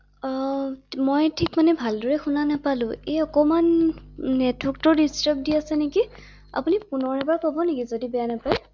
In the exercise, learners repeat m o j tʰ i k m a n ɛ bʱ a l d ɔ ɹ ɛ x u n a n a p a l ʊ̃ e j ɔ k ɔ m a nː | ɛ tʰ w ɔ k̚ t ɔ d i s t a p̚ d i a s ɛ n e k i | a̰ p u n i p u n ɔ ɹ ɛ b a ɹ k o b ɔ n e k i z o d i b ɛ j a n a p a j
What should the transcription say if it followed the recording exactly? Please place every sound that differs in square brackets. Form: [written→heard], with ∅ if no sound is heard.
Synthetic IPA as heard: m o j tʰ i k m a n ɛ bʱ a l d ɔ ɹ ɛ x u n a n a p a l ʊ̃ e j ɔ k ɔ m a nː | ɛ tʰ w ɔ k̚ t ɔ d i s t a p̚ d i a s ɛ n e k i | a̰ p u n i p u n ɔ ɹ ɛ b a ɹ k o b ɔ n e k i z o d i b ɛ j a n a p a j